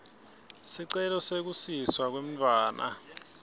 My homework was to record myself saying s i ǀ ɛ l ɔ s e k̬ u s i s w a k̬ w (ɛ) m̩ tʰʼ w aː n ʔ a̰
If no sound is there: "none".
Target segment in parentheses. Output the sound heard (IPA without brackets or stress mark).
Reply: e